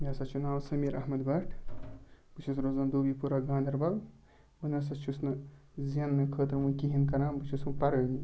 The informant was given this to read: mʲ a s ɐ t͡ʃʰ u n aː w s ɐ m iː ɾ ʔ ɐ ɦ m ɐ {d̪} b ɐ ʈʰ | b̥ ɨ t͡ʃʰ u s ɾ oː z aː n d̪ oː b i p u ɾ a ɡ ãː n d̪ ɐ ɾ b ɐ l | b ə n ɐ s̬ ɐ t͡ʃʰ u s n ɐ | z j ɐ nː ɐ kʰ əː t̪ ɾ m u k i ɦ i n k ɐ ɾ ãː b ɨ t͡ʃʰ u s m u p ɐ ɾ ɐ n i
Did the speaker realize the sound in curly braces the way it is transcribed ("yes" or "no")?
yes